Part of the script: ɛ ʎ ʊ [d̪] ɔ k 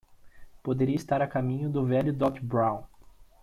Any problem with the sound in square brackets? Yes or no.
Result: no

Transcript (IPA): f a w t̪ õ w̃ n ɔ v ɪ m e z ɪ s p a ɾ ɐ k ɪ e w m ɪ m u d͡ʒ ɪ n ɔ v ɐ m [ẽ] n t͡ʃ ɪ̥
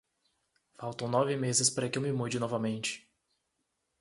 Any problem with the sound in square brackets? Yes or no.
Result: no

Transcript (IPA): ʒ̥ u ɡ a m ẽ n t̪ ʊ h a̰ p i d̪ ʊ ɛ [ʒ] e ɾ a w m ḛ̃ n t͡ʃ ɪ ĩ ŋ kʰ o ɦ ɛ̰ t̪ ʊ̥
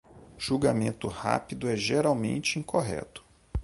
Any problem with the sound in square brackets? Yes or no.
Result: no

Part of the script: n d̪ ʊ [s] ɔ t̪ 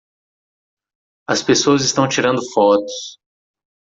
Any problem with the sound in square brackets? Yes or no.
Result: yes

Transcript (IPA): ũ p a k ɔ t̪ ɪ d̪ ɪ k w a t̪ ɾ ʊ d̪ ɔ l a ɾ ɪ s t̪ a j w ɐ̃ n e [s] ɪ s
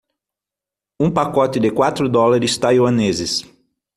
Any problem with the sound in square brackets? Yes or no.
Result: yes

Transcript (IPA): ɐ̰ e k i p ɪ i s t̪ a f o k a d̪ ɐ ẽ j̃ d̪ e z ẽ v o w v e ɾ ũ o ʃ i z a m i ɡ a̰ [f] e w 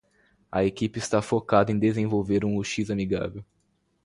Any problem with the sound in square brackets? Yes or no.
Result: yes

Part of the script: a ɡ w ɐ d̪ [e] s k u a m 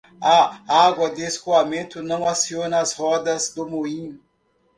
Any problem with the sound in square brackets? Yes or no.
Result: no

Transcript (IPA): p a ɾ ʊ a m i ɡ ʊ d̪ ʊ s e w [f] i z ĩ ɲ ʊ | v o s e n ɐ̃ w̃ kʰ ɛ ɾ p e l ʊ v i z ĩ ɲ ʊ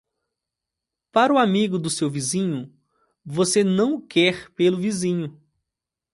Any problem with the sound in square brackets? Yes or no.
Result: yes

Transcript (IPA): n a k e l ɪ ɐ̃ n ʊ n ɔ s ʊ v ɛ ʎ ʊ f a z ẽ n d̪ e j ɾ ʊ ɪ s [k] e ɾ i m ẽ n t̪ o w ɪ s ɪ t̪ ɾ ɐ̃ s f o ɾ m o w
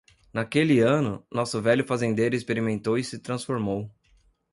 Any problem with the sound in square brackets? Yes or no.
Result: yes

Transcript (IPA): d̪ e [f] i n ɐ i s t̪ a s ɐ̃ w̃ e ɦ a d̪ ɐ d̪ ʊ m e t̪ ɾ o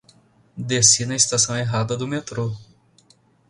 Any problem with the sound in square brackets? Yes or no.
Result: yes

